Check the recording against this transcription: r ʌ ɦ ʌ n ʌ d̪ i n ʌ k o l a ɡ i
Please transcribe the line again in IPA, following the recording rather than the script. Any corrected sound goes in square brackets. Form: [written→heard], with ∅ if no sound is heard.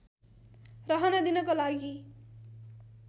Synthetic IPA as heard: r ʌ ɦ ʌ n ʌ d̪ i n ʌ k o l a ɡ i